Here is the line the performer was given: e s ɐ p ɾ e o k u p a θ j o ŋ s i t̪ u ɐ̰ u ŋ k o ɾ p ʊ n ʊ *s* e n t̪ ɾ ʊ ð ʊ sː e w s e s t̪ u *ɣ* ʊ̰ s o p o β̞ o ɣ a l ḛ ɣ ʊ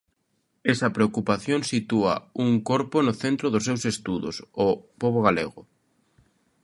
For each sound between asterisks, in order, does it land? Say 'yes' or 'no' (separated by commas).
no, no